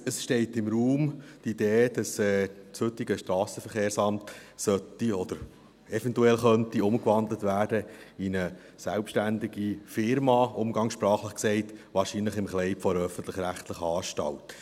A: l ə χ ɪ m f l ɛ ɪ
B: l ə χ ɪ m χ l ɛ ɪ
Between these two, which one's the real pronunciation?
B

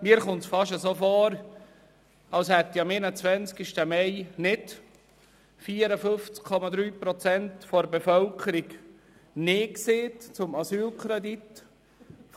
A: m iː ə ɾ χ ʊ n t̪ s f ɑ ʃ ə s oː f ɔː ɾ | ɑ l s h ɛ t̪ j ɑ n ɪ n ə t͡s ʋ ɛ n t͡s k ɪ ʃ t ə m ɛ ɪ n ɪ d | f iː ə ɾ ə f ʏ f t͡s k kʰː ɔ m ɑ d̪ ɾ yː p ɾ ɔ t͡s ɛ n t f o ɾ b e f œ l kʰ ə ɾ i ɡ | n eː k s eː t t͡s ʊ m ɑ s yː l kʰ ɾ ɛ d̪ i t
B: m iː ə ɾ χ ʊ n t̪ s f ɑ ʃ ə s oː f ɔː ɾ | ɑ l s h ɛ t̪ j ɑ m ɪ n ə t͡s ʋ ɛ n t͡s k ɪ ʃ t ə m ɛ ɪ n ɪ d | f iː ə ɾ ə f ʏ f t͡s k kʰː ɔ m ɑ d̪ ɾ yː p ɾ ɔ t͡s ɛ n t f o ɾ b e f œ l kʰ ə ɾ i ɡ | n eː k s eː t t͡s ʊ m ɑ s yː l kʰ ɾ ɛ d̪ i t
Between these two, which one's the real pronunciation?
B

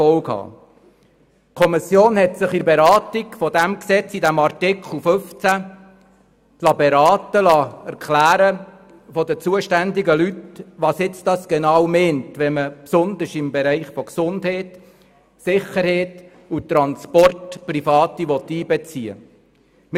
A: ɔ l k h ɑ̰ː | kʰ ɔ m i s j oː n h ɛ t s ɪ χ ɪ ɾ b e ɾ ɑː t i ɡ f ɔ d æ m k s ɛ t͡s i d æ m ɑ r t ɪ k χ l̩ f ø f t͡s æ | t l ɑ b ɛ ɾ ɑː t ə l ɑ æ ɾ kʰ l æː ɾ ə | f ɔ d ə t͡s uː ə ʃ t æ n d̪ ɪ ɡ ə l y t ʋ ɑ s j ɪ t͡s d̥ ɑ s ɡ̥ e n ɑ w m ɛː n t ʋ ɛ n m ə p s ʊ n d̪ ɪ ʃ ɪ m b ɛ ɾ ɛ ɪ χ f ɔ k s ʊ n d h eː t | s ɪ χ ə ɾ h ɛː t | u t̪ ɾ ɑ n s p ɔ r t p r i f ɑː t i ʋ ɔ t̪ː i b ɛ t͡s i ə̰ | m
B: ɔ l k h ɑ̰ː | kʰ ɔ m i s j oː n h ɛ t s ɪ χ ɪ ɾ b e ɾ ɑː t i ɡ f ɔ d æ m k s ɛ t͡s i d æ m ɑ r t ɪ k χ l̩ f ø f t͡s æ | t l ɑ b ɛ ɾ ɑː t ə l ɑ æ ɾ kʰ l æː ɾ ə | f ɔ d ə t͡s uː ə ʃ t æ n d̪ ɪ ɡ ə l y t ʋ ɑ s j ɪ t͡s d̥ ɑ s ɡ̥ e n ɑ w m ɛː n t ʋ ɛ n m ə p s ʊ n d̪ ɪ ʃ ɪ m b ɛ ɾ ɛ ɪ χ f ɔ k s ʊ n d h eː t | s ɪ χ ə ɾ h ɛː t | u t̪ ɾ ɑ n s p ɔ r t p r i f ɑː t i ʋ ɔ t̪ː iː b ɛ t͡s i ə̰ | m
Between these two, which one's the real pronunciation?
B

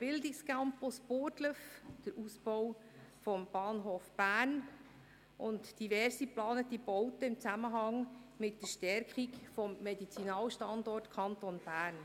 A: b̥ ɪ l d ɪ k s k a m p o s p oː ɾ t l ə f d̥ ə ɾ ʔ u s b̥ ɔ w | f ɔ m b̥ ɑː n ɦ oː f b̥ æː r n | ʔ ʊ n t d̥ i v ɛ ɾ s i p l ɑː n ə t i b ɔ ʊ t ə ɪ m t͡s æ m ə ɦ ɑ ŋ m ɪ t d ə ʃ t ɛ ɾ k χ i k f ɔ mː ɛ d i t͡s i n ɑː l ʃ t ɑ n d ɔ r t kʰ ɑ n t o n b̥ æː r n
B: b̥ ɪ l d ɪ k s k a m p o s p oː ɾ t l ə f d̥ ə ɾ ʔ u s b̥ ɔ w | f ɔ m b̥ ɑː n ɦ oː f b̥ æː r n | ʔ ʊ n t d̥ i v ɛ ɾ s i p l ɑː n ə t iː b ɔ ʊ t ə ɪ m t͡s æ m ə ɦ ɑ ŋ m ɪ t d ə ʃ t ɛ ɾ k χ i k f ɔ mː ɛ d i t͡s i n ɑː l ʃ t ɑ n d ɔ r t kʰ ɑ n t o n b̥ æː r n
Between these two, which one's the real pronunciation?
A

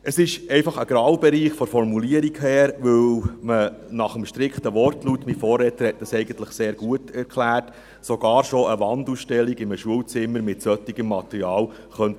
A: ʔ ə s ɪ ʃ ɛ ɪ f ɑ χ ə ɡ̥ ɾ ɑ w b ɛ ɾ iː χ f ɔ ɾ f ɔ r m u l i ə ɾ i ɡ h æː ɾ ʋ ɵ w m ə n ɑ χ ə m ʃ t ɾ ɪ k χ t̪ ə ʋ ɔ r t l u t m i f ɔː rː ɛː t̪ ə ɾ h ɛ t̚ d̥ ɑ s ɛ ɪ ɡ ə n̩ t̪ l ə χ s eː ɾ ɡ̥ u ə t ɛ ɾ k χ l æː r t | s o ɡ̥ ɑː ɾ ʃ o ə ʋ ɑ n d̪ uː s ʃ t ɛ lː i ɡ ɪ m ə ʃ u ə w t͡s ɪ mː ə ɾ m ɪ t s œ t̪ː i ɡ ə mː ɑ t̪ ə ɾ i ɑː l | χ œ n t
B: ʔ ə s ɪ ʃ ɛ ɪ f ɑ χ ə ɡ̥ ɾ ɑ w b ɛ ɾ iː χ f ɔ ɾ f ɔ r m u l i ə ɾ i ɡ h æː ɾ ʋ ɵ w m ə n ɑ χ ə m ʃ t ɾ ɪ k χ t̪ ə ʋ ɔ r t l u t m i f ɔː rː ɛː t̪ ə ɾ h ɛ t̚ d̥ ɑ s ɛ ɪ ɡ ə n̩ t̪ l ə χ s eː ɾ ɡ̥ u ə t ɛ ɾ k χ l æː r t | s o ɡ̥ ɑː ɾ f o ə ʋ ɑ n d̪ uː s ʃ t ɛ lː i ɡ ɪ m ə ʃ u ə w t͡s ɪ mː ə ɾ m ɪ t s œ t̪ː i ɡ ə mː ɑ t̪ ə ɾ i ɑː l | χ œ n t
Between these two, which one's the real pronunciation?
A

